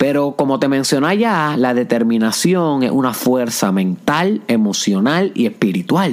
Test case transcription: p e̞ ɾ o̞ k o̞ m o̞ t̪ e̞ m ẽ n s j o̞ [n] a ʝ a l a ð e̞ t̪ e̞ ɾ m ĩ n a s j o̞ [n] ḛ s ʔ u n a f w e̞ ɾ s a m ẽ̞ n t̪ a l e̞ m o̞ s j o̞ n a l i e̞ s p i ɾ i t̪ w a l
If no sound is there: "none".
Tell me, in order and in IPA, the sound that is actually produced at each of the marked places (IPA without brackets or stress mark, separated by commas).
n, ŋ